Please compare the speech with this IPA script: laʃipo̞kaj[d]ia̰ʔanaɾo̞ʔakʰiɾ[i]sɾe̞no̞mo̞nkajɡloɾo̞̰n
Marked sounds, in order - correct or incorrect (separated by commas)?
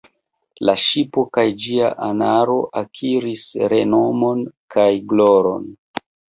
incorrect, correct